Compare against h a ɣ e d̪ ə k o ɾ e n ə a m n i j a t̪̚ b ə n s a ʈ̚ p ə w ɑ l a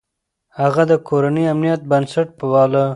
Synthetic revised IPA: h a ɣ a d̪ ə k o ɾ a n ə a m n i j a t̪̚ b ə n s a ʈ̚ p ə w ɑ l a